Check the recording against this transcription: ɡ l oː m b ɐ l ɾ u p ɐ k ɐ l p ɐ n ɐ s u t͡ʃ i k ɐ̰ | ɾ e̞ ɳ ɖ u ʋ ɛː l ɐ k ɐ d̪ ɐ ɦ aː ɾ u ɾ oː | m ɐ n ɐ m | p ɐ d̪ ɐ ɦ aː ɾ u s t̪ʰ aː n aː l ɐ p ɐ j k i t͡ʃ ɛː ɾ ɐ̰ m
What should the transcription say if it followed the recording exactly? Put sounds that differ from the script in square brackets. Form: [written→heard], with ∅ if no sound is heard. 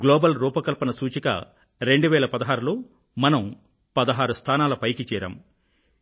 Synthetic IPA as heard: ɡ l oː [m→∅] b ɐ l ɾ [u→uː] p ɐ k ɐ l p ɐ n ɐ s [u→uː] t͡ʃ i k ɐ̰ | ɾ e̞ ɳ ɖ u ʋ ɛː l ɐ [k→p] ɐ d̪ ɐ ɦ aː ɾ u [ɾ→l] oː | m ɐ n ɐ m | p ɐ d̪ ɐ ɦ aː ɾ u s t̪ʰ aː n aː l ɐ p ɐ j k i t͡ʃ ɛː ɾ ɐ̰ m

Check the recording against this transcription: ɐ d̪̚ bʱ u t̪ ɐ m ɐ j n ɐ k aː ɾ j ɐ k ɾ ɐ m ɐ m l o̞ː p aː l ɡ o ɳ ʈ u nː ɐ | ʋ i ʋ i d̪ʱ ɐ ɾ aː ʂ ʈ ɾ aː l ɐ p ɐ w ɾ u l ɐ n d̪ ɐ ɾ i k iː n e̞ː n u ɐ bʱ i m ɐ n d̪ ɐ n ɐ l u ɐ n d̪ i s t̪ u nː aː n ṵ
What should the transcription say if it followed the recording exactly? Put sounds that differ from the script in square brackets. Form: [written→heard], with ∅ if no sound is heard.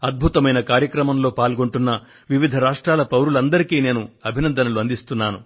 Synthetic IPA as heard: ɐ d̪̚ bʱ u t̪ ɐ m ɐ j n ɐ k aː ɾ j ɐ k ɾ ɐ m ɐ m l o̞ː p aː l ɡ o ɳ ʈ u nː ɐ | ʋ i ʋ i d̪ʱ ɐ ɾ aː ʂ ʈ ɾ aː l ɐ p ɐ w ɾ u l ɐ n d̪ ɐ ɾ i k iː n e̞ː n u ɐ bʱ i [m→n] ɐ n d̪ ɐ n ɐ l u ɐ n d̪ i s t̪ u nː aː n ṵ

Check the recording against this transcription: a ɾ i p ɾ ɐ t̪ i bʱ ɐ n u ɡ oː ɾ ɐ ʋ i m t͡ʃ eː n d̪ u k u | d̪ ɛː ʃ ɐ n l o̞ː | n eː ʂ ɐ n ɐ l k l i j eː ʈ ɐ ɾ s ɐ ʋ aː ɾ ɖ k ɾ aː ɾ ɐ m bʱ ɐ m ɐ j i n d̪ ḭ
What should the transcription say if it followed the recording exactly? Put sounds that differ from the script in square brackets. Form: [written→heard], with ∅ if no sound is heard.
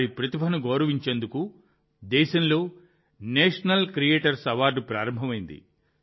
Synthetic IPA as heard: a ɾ i p ɾ ɐ t̪ i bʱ ɐ n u ɡ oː ɾ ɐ ʋ i [m→ɲ] t͡ʃ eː n d̪ u k u | d̪ ɛː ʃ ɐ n l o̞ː | n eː ʂ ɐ n ɐ l k [l→ɾ] i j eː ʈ ɐ ɾ s ɐ ʋ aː ɾ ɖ [k→p] ɾ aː ɾ ɐ m bʱ ɐ m ɐ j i n d̪ ḭ

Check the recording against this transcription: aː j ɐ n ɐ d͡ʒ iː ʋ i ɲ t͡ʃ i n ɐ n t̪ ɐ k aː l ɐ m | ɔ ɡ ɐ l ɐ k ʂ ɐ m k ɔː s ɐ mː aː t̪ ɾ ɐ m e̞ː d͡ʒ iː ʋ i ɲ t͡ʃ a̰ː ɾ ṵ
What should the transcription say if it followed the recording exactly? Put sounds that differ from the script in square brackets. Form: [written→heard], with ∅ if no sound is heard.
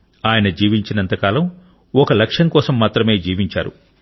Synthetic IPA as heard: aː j ɐ n ɐ d͡ʒ iː ʋ i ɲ t͡ʃ i n ɐ n t̪ ɐ k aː l ɐ m | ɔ [ɡ→k] ɐ l ɐ k ʂ ɐ [m→ŋ] k ɔː s ɐ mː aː t̪ ɾ ɐ m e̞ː d͡ʒ iː ʋ i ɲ t͡ʃ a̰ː ɾ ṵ

